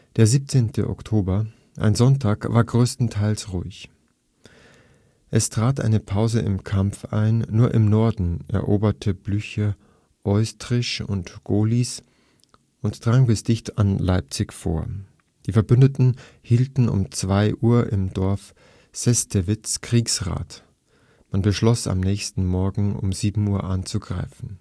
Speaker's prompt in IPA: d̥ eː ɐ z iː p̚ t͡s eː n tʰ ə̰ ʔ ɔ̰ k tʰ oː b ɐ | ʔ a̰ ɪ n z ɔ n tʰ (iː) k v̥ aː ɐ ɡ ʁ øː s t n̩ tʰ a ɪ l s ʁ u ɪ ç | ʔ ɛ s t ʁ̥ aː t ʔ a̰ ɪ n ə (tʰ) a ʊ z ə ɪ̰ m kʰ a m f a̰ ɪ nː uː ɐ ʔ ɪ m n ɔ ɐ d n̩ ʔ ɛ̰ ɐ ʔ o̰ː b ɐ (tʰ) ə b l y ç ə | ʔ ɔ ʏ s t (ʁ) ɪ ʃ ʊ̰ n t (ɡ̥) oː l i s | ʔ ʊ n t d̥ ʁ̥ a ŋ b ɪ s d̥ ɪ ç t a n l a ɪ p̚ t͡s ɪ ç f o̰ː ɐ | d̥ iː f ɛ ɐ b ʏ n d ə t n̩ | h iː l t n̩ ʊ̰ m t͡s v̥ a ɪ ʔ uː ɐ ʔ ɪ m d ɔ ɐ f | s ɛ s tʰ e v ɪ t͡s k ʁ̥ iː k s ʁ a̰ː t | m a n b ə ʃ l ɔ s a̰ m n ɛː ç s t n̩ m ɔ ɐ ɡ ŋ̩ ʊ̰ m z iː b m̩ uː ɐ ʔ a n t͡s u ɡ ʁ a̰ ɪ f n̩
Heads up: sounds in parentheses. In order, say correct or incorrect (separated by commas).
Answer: incorrect, incorrect, correct, correct, correct